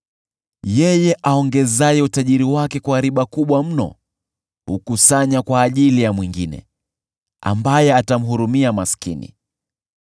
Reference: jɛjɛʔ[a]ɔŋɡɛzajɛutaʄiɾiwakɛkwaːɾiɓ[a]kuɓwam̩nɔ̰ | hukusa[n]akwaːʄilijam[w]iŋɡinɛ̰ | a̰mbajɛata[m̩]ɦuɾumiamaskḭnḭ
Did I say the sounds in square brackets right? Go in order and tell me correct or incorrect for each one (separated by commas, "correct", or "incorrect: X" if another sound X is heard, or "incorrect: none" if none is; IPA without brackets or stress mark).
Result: correct, correct, incorrect: ɲ, correct, correct